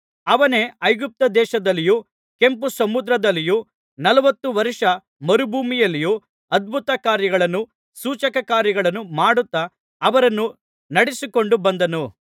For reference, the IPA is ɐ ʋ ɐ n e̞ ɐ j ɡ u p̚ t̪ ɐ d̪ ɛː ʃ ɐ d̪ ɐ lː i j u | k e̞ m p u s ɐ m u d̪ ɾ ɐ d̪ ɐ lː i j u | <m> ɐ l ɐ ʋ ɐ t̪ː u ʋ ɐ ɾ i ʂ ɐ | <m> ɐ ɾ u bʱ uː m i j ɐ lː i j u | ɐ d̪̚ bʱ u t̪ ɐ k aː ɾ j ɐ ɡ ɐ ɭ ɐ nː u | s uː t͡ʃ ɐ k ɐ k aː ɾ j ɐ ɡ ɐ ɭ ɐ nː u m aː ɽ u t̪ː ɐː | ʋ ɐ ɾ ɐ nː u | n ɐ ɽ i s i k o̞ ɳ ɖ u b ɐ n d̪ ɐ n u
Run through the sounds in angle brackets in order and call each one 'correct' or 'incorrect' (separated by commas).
incorrect, correct